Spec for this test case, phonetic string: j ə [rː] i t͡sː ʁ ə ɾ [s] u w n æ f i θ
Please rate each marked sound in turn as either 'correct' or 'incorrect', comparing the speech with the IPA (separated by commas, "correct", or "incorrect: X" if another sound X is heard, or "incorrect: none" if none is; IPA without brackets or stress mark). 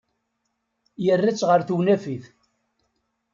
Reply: correct, incorrect: θ